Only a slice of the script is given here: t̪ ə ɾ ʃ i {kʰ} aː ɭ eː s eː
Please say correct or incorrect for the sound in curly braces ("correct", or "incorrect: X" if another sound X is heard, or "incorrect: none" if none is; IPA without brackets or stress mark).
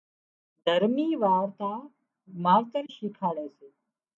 correct